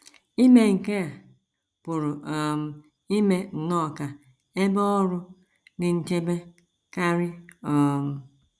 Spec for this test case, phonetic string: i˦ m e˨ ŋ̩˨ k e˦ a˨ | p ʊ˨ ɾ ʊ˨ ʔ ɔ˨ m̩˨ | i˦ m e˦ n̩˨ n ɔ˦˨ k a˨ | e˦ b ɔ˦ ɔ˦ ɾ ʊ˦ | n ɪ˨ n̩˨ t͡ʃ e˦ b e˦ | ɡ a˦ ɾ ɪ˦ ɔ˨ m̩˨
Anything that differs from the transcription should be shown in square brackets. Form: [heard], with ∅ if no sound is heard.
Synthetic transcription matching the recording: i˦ m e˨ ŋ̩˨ k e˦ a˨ | p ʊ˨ ɾ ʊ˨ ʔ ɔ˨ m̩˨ | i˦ m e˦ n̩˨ n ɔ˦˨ k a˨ | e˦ b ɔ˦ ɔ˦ ɾ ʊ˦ | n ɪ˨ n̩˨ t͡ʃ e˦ b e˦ | [k] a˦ ɾ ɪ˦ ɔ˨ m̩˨